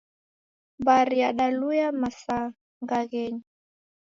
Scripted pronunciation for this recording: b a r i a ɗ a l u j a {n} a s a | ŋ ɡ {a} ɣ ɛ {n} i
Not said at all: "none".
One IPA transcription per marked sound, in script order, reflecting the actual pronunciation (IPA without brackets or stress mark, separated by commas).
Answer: m, a, ɲ